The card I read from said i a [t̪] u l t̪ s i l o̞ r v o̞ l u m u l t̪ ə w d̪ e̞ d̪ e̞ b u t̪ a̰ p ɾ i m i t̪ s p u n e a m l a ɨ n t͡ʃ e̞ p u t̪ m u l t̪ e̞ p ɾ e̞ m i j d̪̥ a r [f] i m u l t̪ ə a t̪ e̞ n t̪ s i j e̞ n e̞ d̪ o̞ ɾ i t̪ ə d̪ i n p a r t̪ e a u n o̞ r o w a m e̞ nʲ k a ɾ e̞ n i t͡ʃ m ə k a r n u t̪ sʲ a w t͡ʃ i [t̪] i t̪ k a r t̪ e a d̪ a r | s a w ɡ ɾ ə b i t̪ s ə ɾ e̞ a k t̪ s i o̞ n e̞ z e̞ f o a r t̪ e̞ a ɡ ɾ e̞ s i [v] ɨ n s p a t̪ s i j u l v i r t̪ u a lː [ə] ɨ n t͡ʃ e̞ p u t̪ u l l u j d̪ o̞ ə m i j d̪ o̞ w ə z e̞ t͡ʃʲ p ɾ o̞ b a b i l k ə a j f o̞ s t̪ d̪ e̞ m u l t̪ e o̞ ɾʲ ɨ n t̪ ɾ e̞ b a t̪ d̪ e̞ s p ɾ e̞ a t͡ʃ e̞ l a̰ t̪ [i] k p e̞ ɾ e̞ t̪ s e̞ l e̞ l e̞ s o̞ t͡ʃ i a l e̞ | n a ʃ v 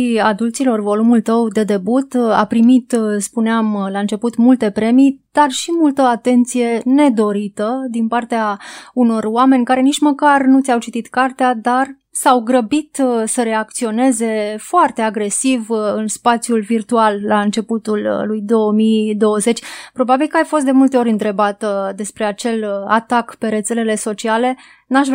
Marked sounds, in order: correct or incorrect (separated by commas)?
incorrect, incorrect, correct, correct, incorrect, incorrect